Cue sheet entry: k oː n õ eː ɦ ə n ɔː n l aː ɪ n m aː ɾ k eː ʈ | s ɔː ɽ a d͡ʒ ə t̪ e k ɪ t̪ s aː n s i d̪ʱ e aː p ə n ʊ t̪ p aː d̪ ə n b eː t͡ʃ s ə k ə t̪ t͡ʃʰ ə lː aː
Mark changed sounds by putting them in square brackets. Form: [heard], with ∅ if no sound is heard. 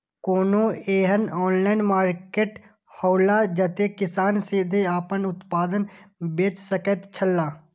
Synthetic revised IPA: k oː n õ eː ɦ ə n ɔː n l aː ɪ n m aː ɾ k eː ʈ | [h] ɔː [l] a d͡ʒ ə t̪ e k ɪ [∅] s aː n s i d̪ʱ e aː p ə n ʊ t̪ p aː d̪ ə n b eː t͡ʃ s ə k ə t̪ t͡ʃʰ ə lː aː